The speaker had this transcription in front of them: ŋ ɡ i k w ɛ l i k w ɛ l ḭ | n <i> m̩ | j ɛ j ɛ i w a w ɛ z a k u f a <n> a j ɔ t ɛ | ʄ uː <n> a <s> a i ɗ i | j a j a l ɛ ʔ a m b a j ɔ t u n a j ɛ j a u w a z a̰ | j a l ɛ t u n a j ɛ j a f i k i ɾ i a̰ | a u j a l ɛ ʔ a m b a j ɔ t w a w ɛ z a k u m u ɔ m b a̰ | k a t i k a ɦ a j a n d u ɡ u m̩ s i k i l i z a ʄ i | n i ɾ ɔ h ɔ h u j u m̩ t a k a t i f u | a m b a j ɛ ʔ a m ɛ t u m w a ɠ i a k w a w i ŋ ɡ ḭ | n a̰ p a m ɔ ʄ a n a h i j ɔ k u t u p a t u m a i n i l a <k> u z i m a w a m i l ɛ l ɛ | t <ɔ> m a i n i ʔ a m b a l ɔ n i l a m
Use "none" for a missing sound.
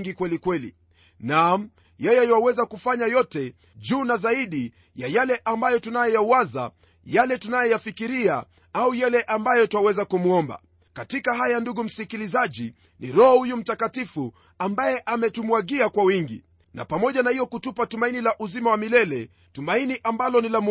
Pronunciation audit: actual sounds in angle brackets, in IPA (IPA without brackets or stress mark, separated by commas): a, ɲ, n, z, ʔ, u